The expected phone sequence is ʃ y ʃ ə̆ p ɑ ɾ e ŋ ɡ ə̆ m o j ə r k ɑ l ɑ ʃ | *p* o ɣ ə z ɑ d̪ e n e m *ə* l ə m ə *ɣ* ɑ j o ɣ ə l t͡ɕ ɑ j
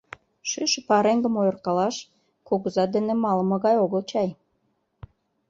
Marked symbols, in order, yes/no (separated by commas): no, no, yes